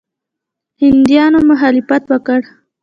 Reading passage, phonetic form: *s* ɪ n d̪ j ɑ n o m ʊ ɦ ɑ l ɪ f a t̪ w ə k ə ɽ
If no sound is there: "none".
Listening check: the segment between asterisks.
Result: h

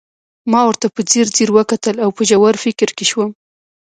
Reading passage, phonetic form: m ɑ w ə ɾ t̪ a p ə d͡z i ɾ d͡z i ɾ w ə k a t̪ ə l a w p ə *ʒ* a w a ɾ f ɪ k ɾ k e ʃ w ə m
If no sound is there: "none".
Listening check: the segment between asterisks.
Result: ʒ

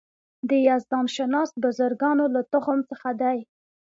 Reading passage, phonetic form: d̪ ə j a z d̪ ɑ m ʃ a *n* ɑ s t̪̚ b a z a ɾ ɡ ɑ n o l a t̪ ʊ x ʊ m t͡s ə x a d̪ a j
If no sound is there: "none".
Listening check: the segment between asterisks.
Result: n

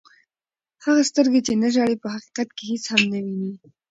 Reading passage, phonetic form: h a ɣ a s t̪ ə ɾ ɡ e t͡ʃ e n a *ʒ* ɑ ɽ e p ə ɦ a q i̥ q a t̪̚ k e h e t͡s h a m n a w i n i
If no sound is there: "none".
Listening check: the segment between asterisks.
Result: ʒ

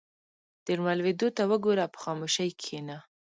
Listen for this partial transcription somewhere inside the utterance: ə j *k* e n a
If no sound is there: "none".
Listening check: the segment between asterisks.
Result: kʰ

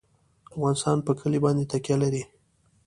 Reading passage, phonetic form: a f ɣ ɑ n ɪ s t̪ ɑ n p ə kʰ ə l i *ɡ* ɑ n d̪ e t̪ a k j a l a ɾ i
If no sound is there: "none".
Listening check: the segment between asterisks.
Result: b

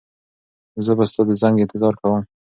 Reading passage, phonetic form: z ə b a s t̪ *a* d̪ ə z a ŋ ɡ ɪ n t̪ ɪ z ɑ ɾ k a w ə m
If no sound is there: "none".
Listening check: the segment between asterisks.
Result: ɑ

